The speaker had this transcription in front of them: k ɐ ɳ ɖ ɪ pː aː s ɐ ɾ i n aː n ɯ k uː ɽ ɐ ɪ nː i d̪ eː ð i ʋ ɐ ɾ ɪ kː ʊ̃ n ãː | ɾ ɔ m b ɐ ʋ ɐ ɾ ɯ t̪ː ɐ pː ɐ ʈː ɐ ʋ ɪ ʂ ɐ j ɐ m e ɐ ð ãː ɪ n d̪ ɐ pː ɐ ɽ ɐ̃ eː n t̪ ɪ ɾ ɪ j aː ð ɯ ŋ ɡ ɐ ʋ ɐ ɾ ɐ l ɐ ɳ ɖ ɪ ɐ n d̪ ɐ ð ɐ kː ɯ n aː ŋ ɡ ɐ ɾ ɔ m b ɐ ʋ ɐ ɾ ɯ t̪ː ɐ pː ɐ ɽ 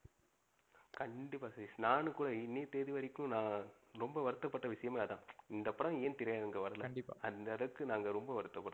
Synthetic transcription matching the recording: k ɐ ɳ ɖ ɪ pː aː s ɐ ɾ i n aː n ɯ k uː ɽ ɐ ɪ nː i t̪ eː ð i ʋ ɐ ɾ ɪ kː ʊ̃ n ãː | ɾ ɔ m b ɐ ʋ ɐ ɾ ɯ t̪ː ɐ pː ɐ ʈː ɐ ʋ ɪ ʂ ɐ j ɐ m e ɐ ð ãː ɪ n d̪ ɐ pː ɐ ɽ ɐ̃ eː n t̪ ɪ ɾ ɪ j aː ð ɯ ŋ ɡ ɐ ʋ ɐ ɾ ɐ l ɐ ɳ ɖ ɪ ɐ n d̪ ɐ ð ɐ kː ɯ n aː ŋ ɡ ɐ ɾ ɔ m b ɐ ʋ ɐ ɾ ɯ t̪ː ɐ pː ɐ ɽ